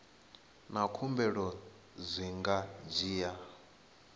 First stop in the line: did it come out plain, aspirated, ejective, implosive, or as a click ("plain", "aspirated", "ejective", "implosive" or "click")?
aspirated